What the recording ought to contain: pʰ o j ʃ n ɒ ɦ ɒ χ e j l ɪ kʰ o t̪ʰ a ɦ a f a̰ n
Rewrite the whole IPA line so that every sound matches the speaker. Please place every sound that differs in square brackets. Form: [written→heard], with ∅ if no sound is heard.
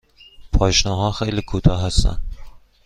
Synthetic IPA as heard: pʰ [o→ɒ] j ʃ n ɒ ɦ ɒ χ e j l ɪ kʰ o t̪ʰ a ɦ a [f→s] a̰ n

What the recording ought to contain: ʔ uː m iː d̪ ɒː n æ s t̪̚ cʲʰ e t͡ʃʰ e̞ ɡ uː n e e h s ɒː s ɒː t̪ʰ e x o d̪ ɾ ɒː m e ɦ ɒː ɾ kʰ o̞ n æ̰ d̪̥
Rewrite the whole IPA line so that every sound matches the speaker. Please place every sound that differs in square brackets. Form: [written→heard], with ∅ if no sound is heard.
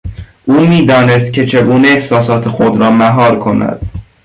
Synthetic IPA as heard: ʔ uː m iː d̪ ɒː n [æ→e] s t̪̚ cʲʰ e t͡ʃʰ e̞ ɡ uː n e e h s ɒː s ɒː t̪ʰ e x o d̪ ɾ ɒː m [e→æ] ɦ ɒː ɾ kʰ o̞ n æ̰ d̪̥

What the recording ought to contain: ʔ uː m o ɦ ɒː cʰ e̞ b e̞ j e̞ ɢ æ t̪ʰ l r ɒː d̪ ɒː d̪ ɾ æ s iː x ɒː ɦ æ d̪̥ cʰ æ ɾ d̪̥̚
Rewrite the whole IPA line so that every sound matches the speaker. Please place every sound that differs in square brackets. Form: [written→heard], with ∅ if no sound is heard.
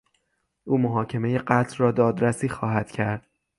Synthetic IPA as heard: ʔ uː m o ɦ ɒː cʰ e̞ [b→m] e̞ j e̞ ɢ æ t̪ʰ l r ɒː d̪ ɒː d̪ ɾ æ s iː x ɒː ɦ æ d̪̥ cʰ æ ɾ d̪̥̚

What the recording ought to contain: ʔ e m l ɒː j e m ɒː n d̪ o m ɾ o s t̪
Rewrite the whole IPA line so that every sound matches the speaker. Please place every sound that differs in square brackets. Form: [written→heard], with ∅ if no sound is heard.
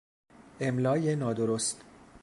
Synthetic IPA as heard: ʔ e m l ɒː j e [m→n] ɒː [n→∅] d̪ o [m→∅] ɾ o s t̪

